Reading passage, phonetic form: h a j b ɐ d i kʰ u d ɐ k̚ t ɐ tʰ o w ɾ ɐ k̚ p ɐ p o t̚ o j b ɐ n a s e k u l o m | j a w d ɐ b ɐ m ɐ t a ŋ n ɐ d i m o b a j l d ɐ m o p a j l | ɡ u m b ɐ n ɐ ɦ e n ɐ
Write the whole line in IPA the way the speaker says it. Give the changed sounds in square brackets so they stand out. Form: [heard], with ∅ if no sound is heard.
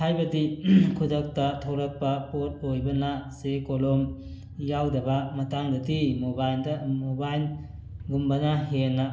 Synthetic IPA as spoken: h a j b ɐ d i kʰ u d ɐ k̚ t ɐ tʰ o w ɾ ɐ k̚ p ɐ p o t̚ o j b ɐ n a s e k [o] l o m | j a w d ɐ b ɐ m ɐ t a ŋ [d] ɐ d i m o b a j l d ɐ m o [b] a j l | ɡ u m b ɐ n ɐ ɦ e n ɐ